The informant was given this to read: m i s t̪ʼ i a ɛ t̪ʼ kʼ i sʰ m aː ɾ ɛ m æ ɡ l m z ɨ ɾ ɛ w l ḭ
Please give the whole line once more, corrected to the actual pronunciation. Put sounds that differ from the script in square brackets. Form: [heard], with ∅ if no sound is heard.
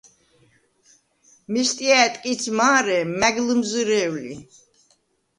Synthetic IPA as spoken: m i s t̪ʼ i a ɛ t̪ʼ kʼ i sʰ m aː ɾ ɛ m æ ɡ l m z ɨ ɾ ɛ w l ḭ